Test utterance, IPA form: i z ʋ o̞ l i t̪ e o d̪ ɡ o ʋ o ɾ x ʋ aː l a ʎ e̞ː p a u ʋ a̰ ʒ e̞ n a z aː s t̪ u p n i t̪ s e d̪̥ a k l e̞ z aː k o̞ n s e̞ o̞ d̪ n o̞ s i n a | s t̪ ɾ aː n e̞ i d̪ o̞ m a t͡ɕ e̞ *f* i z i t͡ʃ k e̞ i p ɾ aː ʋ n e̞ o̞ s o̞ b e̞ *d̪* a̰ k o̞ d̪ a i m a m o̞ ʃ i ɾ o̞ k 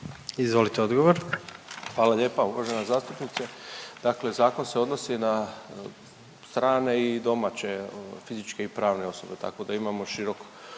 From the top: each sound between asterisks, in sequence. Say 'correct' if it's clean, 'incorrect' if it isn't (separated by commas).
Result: correct, incorrect